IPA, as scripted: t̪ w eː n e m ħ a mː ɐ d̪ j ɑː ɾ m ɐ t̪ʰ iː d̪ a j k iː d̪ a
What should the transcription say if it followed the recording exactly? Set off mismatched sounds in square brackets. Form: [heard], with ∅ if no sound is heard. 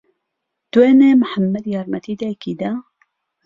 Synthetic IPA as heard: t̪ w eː n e m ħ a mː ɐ d̪ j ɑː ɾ m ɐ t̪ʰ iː d̪ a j k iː d̪ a